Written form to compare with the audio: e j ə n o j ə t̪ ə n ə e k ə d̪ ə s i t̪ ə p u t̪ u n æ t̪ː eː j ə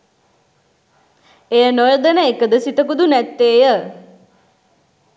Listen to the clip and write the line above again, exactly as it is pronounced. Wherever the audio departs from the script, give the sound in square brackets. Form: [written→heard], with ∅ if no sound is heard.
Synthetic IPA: e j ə n o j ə [t̪→d̪] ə n ə e k ə d̪ ə s i t̪ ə [p→k] u [t̪→d̪] u n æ t̪ː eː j ə